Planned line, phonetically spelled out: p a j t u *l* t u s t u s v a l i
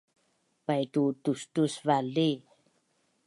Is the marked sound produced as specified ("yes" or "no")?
no